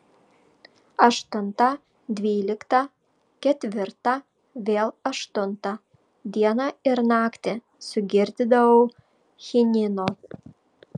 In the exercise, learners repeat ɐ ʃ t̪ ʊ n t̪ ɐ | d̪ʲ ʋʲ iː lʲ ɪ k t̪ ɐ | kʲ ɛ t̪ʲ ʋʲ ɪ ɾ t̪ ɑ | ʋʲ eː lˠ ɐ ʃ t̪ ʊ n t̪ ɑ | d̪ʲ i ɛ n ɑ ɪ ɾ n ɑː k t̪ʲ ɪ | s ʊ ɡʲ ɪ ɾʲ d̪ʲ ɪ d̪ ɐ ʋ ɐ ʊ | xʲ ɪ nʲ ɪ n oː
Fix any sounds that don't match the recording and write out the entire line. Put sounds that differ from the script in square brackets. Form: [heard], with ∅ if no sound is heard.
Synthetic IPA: ɐ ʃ t̪ ʊ n t̪ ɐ | d̪ʲ ʋʲ iː lʲ ɪ k t̪ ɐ | kʲ ɛ t̪ʲ ʋʲ ɪ ɾ t̪ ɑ | ʋʲ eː lˠ ɐ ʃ t̪ ʊ n t̪ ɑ | d̪ʲ i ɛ n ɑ ɪ ɾ n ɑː k t̪ʲ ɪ | s ʊ ɡʲ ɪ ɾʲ d̪ʲ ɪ d̪ ɐ ʋ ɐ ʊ | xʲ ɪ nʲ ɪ n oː